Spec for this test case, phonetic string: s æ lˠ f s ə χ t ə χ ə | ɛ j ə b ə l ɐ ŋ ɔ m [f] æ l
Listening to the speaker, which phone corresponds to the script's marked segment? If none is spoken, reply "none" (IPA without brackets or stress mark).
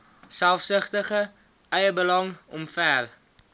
f